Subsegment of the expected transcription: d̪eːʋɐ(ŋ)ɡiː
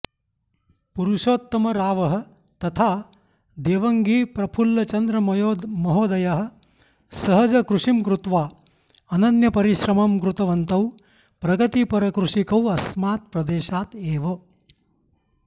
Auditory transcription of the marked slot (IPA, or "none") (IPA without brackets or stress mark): ŋ